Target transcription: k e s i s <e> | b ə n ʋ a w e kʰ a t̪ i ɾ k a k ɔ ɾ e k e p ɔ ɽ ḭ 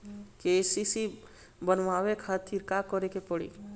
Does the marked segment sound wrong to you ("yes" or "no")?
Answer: yes